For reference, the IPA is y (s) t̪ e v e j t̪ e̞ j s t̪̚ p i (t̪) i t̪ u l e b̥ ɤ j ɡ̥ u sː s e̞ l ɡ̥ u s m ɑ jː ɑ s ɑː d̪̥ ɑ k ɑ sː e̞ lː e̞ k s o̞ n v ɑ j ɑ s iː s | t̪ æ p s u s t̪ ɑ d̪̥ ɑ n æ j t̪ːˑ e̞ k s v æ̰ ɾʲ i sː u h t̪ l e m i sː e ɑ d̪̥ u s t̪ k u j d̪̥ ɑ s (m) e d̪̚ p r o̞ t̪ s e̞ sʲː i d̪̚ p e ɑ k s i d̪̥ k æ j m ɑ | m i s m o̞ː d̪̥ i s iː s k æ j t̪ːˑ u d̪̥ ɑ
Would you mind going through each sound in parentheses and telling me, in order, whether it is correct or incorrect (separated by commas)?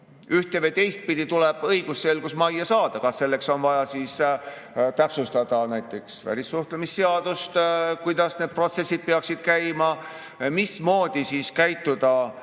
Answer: incorrect, incorrect, incorrect